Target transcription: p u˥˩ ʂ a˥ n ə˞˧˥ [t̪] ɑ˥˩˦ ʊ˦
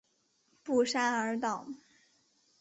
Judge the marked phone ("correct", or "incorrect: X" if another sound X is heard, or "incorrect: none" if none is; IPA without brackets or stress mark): correct